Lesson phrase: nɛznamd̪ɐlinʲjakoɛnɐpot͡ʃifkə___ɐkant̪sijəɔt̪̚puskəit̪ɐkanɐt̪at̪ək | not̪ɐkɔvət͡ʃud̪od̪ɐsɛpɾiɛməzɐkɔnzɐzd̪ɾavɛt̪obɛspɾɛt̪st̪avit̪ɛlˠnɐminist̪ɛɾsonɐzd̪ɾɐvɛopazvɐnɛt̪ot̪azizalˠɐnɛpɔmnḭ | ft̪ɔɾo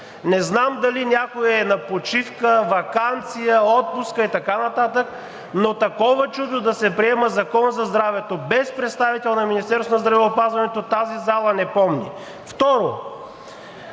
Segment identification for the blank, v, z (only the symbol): v